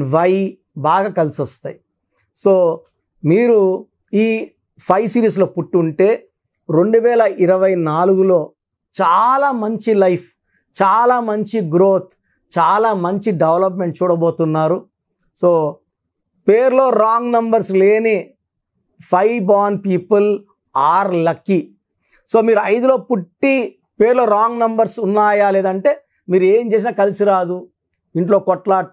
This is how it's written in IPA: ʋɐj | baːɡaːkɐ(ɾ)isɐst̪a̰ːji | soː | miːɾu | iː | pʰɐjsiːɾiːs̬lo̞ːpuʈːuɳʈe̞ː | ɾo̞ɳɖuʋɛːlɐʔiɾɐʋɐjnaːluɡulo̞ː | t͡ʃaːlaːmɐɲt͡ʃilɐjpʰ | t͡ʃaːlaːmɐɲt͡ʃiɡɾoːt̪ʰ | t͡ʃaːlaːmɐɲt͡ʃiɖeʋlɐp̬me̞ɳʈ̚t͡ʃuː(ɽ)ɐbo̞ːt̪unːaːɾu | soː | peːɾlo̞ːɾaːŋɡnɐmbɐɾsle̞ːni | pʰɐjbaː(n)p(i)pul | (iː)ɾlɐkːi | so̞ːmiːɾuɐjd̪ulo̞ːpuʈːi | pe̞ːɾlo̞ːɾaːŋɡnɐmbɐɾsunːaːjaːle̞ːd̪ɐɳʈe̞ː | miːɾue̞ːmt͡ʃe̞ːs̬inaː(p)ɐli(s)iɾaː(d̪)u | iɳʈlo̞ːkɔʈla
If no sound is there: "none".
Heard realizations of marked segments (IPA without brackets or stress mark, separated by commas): l, ɽ, n, iː, aː, k, s, d̪